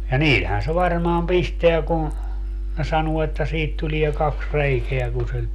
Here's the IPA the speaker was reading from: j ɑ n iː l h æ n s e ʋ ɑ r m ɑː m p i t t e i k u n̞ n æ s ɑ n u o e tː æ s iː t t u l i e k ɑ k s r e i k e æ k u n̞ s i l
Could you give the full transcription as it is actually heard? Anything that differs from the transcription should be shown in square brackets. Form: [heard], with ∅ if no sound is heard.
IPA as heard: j ɑ n iː l h æ n s e ʋ ɑ r m ɑː m p i [s] t e [æ] k u n̞ n [e] s ɑ n u o e tː æ s iː t t u l i e k ɑ k s r e i k e æ k u n̞ s i l